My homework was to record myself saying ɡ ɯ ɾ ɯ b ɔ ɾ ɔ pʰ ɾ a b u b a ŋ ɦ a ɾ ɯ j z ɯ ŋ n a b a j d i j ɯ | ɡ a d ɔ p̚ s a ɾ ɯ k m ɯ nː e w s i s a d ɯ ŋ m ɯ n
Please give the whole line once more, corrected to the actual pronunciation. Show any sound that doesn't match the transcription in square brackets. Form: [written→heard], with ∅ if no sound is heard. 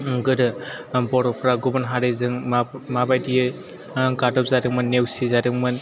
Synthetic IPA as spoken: ɡ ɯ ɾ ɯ b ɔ ɾ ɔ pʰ ɾ a [b→ɡ] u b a [ŋ→n] ɦ a ɾ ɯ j z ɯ ŋ [n→m] a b a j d i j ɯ | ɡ a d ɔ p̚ [s→z] a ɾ ɯ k m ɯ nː e w s i [s→z] a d ɯ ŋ m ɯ n

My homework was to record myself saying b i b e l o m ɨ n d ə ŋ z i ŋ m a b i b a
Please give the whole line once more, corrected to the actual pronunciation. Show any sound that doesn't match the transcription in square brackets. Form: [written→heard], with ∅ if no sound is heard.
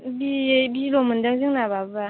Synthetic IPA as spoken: b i b [e→i] l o m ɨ n d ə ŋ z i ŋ [m→n] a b [i→a] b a

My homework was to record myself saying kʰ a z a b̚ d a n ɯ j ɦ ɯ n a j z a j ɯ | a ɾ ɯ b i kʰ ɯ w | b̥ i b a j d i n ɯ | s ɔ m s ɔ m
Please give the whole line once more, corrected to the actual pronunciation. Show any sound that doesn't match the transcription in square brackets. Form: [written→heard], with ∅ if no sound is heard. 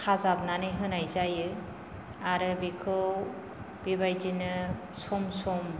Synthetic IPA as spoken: kʰ a z a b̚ [d→n] a n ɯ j ɦ ɯ n a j z a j ɯ | a ɾ ɯ b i kʰ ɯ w | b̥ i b a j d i n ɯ | s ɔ m s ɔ m

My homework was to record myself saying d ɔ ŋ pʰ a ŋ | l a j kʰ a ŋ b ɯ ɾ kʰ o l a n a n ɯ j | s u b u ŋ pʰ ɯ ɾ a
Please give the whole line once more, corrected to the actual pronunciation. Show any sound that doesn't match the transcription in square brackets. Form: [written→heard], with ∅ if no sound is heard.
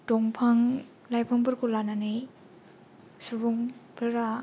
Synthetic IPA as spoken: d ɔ ŋ pʰ a ŋ | l a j [kʰ→pʰ] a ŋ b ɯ ɾ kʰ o l a n a n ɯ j | s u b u ŋ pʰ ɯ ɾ a

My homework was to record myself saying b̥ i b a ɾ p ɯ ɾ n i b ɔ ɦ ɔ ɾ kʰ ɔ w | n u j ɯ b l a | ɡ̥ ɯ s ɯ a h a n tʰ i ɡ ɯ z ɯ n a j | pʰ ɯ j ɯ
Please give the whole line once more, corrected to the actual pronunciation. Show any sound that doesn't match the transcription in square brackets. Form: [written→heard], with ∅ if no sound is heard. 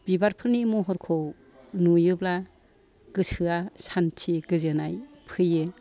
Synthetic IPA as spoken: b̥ i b a ɾ [p→pʰ] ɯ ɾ n i [b→m] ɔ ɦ ɔ ɾ kʰ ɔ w | n u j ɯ b l a | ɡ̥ ɯ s ɯ a [h→s] a n tʰ i ɡ ɯ z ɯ n a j | pʰ ɯ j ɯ

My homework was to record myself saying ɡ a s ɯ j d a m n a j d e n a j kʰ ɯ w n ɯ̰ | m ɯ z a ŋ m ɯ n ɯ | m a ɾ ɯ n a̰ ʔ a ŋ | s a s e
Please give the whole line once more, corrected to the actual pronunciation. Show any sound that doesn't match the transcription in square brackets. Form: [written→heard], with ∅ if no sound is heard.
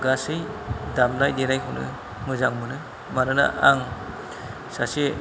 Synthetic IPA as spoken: ɡ a s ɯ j d a m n a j d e n a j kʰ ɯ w n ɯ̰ | m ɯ z a ŋ m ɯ n ɯ | m a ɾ ɯ n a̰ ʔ a ŋ | s a s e

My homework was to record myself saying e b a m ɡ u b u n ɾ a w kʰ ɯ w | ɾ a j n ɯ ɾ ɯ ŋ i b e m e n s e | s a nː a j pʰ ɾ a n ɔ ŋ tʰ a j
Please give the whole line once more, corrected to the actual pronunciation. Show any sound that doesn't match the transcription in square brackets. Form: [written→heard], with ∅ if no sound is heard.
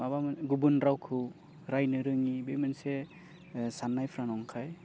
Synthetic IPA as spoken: [e→a] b a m ɡ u b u n ɾ a w kʰ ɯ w | ɾ a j n ɯ ɾ ɯ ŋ i b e m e n s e | s a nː a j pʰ ɾ a n ɔ ŋ [tʰ→kʰ] a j

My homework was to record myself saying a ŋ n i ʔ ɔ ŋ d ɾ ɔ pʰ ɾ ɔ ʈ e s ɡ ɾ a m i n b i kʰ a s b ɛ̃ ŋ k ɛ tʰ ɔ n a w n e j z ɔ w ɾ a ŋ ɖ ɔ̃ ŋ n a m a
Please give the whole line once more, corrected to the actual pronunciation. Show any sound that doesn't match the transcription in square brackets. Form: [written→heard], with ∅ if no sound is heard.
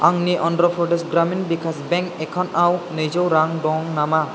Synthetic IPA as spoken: a ŋ n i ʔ ɔ [ŋ→n] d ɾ ɔ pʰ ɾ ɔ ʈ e s ɡ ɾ a m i n b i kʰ a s b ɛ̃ ŋ k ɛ [tʰ→kʰ] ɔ n a w n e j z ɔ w ɾ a ŋ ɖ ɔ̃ ŋ n a m a

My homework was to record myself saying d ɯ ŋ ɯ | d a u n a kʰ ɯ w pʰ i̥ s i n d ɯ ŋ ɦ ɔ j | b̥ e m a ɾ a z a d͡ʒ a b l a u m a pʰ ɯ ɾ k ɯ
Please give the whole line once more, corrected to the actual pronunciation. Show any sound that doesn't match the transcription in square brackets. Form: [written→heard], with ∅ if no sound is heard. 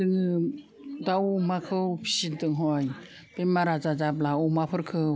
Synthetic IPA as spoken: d ɯ ŋ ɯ | d a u [n→m] a kʰ ɯ w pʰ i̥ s i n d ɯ ŋ ɦ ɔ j | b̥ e m a ɾ a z a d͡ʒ a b l a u m a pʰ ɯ ɾ [k→kʰ] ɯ

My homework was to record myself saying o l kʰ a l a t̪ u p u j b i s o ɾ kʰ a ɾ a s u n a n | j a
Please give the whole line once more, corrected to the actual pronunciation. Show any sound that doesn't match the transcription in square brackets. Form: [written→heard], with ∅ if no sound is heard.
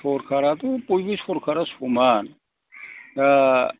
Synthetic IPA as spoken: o [l→ɾ] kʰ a [l→ɾ] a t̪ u p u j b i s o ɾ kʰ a ɾ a s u [n→m] a n | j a

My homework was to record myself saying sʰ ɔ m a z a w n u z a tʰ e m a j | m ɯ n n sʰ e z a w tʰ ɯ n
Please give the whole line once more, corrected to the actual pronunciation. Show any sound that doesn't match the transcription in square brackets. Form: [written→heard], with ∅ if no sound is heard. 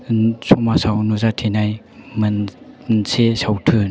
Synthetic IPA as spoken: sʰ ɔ m a [z→s] a w n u z a tʰ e [m→n] a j | m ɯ n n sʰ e [z→s] a w tʰ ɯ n

